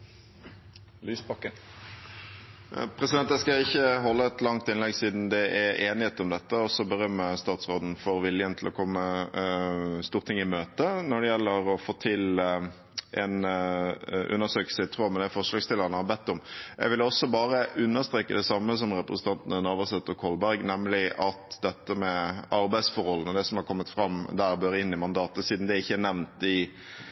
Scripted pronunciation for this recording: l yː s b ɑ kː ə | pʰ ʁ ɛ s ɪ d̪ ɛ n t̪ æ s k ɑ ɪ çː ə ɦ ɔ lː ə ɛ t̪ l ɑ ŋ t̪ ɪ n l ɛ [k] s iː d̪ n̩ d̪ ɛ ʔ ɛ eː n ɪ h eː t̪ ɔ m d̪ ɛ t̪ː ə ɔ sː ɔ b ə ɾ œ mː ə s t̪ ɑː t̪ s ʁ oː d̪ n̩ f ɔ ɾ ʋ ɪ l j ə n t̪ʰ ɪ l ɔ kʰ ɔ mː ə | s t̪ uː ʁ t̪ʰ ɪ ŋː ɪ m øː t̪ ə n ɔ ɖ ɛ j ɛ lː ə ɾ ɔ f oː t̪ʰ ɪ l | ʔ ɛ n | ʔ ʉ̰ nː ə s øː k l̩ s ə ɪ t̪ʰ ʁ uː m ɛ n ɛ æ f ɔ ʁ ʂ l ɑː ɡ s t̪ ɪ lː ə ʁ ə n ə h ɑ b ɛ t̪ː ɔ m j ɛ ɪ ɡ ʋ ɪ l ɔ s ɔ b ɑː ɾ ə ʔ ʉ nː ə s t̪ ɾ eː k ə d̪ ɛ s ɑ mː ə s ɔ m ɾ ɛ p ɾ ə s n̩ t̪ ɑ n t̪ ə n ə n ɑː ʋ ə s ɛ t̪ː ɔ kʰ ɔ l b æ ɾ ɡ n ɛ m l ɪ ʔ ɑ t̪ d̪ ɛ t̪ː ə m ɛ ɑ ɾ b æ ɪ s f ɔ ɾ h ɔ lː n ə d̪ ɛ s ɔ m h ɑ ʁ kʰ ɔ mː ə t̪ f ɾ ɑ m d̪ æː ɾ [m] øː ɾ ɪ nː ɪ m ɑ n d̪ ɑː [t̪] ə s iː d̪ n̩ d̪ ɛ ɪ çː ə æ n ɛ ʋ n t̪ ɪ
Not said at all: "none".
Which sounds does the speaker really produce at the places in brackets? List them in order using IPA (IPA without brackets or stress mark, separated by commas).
ɡ, b, t̪